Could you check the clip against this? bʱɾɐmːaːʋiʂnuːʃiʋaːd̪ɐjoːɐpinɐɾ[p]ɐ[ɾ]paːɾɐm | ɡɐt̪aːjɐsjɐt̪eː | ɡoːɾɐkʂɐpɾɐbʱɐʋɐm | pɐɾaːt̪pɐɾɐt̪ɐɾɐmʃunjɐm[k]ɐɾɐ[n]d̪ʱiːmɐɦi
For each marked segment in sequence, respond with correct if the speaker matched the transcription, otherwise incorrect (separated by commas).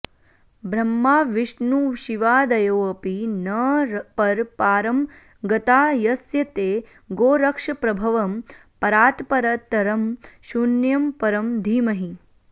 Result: correct, correct, incorrect, incorrect